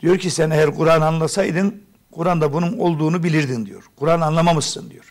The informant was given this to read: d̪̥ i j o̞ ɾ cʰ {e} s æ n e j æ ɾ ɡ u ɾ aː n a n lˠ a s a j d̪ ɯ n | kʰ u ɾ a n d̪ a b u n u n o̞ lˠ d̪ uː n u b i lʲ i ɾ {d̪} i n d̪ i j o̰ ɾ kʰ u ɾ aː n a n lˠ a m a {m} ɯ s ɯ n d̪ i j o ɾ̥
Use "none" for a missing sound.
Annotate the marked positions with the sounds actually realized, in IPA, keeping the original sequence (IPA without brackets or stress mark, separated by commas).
i, d̪, m